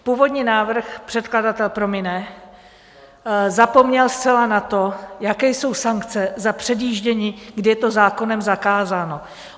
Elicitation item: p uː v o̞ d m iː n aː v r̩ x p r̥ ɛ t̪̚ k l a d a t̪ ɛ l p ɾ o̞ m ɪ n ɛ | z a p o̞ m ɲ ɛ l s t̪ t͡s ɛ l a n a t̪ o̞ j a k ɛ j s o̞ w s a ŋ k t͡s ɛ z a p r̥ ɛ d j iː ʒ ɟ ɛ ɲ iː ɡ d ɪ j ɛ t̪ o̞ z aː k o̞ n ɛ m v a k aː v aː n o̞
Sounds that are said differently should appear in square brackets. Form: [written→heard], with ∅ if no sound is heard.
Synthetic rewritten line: p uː v o̞ d [m→ɲ] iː n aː v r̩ x p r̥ ɛ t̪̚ k l a d a t̪ ɛ l p ɾ o̞ m ɪ n ɛ | z a p o̞ m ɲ ɛ l s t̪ t͡s ɛ l a n a t̪ o̞ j a k ɛ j s o̞ w s a ŋ k t͡s ɛ z a p r̥ ɛ d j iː ʒ ɟ ɛ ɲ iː ɡ d ɪ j ɛ t̪ o̞ z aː k o̞ n ɛ m [v→z] a k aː [v→z] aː n o̞